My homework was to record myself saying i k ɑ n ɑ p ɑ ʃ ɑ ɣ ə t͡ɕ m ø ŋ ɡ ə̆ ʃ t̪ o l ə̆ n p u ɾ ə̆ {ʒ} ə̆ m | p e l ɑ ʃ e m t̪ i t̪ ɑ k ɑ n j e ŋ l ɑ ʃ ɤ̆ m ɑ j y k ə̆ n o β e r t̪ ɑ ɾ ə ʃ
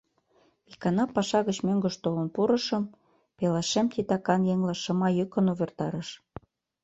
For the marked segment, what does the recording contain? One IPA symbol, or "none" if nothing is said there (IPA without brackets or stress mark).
ʃ